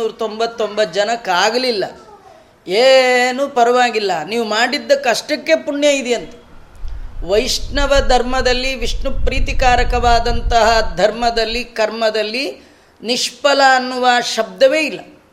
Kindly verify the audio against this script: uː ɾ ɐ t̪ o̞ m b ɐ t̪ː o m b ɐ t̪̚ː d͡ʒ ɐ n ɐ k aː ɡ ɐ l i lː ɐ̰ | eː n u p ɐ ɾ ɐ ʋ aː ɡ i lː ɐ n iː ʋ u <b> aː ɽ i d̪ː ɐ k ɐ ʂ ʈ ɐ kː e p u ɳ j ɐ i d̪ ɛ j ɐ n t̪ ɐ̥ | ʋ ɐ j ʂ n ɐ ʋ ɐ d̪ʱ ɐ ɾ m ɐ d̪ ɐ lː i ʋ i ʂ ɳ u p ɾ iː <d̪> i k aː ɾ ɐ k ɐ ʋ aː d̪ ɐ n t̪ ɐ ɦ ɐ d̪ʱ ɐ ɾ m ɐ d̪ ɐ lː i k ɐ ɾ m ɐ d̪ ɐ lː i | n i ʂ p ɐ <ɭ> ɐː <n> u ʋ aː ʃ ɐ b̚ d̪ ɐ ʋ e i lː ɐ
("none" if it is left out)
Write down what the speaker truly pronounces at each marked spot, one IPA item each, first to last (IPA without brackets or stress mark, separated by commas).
m, t̪, l, nː